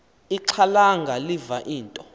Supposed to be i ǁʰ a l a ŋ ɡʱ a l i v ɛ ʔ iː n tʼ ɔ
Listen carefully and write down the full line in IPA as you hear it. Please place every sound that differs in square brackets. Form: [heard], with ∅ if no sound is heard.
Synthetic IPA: i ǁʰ a l a ŋ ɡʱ a l i v [a] ʔ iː n tʼ ɔ